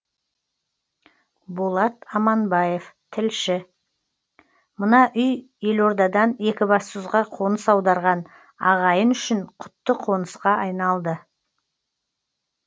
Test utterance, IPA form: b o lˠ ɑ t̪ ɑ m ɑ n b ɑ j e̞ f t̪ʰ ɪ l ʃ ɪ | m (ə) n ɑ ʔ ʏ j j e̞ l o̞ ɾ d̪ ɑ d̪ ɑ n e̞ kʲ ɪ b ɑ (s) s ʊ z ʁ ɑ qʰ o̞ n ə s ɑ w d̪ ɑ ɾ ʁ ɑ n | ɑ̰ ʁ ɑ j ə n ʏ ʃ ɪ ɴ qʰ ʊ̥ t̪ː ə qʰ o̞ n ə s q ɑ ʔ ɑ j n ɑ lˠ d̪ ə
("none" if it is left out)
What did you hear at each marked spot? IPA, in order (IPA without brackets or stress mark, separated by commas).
ə, s